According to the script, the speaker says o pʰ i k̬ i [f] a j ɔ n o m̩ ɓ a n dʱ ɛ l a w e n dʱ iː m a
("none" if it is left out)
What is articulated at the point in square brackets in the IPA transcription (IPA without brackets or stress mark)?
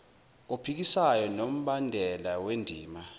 s